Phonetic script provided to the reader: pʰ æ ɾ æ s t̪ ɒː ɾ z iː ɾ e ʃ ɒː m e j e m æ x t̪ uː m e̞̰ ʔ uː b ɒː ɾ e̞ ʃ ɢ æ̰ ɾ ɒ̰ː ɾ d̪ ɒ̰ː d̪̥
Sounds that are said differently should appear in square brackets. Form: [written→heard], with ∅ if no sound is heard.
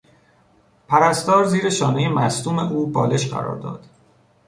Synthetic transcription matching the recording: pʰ æ ɾ æ s t̪ ɒː ɾ z iː ɾ e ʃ ɒː [m→n] e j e m æ [x→s] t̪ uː m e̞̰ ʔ uː b ɒː [ɾ→l] e̞ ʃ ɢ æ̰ ɾ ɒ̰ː ɾ d̪ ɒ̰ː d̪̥